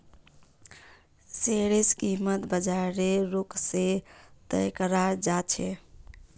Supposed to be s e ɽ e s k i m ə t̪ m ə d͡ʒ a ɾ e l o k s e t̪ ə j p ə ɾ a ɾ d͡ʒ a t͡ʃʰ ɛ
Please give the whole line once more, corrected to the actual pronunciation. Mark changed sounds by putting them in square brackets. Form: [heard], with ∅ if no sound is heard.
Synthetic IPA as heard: s e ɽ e s k i m ə t̪ [b] ə d͡ʒ a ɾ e [ɾ] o k s e t̪ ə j [k] ə ɾ a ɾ d͡ʒ a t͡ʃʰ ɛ

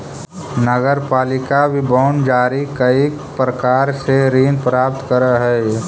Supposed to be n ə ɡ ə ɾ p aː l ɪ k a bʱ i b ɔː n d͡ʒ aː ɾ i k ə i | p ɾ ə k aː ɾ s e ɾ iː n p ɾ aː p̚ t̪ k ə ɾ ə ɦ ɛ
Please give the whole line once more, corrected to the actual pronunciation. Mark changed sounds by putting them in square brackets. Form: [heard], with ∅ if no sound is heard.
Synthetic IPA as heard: n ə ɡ ə ɾ p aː l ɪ k a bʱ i b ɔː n d͡ʒ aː ɾ i k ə i | p ɾ ə k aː ɾ s e ɾ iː n p ɾ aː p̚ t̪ k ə ɾ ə ɦ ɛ

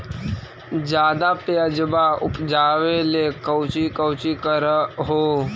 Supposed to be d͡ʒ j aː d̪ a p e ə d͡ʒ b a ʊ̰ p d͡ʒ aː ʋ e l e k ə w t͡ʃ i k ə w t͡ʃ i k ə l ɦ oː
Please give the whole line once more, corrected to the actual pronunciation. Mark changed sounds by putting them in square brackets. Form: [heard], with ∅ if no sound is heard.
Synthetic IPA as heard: d͡ʒ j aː d̪ a p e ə d͡ʒ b a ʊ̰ p d͡ʒ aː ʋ e l e k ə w t͡ʃ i k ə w t͡ʃ i k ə [ɾ] ɦ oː

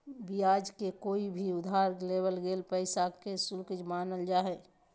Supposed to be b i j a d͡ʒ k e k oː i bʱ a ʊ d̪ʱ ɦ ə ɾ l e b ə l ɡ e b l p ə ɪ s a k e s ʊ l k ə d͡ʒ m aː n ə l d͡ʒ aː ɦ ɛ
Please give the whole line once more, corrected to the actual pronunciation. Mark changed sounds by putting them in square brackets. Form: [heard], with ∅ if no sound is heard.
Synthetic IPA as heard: b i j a d͡ʒ k e k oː i bʱ [i] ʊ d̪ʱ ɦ [a] ɾ l e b ə l ɡ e [∅] l p ə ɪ s a k e s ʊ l k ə d͡ʒ m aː n ə l d͡ʒ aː ɦ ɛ

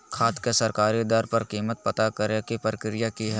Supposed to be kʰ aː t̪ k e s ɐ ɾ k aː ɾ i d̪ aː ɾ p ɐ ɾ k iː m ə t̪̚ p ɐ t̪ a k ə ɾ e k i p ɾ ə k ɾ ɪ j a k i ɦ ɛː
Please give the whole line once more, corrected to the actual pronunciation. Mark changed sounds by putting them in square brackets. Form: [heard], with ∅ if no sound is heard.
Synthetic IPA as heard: kʰ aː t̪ k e s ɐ ɾ k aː ɾ i d̪ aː ɾ p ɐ ɾ k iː m ə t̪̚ p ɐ t̪ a k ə ɾ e k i p ɾ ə k ɾ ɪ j a k i ɦ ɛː

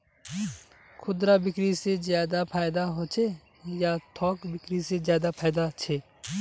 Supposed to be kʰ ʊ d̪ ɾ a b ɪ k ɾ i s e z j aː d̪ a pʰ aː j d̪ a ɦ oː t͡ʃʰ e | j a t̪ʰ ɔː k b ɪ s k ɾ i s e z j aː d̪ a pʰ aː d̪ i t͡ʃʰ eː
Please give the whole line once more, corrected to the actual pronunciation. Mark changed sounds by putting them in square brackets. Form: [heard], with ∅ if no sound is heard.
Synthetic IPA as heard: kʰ ʊ d̪ ɾ a b ɪ k ɾ i s e z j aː d̪ a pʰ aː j d̪ a ɦ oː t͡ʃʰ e | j a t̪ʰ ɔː k b ɪ [∅] k ɾ i s e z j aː d̪ a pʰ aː d̪ [a] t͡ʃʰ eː

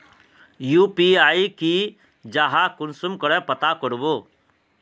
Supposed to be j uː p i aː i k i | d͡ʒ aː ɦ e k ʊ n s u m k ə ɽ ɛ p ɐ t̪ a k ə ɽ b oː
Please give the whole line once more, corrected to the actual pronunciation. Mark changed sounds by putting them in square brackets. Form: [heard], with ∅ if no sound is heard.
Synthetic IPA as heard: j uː p i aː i k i | d͡ʒ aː ɦ [a] k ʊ n s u m k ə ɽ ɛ p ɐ t̪ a k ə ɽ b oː

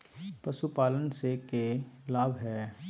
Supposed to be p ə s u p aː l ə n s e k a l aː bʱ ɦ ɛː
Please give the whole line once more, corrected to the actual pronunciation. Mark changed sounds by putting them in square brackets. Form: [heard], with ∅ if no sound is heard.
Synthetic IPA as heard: p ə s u p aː l ə n s e k [e] l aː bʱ ɦ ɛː

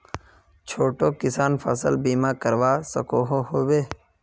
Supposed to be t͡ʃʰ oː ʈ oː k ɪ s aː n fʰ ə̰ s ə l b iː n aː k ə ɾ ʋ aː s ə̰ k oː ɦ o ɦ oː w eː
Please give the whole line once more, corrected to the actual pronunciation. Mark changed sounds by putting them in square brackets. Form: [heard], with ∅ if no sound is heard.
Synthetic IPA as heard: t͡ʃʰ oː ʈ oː k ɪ s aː n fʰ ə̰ s ə l b iː [m] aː k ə ɾ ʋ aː s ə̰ k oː ɦ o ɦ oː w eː

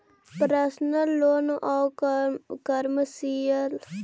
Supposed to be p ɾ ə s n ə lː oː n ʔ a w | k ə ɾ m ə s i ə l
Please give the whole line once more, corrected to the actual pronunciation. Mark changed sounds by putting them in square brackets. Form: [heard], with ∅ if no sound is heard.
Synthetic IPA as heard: p ɾ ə s n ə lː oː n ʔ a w | k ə ɾ m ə s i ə l

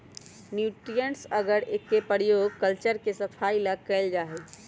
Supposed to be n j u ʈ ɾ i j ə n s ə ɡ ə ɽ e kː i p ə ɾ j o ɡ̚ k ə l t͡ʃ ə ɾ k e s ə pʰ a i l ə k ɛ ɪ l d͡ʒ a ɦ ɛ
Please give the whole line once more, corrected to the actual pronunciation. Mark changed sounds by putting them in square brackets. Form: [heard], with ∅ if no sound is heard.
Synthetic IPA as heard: n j u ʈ ɾ i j ə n s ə ɡ ə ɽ e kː [e] p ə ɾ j o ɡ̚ k ə l t͡ʃ ə ɾ k e s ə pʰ a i l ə k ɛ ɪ l d͡ʒ a ɦ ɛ

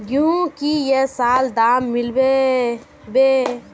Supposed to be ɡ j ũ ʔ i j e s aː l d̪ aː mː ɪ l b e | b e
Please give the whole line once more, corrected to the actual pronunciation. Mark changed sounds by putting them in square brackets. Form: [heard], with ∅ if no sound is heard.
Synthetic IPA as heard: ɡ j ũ [k] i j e s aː l d̪ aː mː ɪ l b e | b e

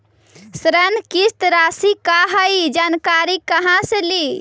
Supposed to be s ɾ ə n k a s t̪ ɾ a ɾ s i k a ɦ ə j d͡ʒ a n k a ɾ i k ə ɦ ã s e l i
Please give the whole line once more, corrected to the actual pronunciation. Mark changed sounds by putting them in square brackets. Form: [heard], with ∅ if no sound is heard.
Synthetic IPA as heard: s ɾ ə n k [i] s t̪ ɾ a [∅] s i k a ɦ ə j d͡ʒ a n k a ɾ i k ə ɦ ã s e l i

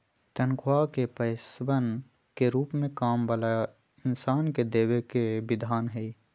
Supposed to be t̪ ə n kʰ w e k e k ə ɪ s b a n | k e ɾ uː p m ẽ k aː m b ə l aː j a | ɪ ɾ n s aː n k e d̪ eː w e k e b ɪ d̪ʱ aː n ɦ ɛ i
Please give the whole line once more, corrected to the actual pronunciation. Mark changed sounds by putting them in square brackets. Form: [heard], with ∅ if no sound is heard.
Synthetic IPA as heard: t̪ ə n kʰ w [a] k e [p] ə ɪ s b [ə] n | k e ɾ uː p m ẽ k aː m b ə l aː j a | ɪ [∅] n s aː n k e d̪ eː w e k e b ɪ d̪ʱ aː n ɦ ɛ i

